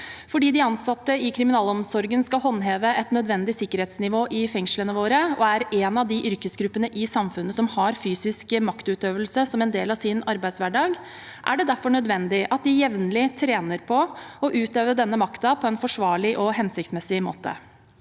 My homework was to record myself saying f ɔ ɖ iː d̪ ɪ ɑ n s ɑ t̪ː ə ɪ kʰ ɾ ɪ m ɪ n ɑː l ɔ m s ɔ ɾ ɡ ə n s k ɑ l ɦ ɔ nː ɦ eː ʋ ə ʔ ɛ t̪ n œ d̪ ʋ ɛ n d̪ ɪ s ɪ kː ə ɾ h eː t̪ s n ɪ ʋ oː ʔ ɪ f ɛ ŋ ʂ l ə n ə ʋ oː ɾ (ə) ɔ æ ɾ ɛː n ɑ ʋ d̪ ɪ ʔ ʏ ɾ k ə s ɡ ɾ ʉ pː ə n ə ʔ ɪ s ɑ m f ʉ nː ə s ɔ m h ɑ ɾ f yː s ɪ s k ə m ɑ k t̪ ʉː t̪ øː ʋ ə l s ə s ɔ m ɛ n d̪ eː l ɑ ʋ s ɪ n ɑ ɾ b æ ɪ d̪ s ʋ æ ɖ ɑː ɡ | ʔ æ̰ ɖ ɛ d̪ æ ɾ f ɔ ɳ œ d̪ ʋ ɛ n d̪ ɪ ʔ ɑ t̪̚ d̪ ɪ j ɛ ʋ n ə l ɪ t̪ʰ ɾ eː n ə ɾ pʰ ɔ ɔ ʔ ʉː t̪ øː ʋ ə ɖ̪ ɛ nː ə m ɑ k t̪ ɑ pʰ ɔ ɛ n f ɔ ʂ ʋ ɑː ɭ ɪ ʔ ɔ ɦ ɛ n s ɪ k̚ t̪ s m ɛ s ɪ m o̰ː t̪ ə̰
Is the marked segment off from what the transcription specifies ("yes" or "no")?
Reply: no